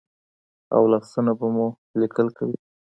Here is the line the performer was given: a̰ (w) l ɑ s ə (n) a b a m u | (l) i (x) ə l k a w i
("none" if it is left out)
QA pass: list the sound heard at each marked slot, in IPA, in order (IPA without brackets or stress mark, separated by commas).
w, n, l, k